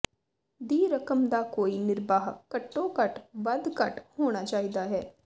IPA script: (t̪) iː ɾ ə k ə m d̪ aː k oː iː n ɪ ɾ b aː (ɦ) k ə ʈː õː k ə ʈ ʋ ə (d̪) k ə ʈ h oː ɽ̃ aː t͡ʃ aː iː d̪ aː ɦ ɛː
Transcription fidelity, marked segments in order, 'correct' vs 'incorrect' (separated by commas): incorrect, correct, correct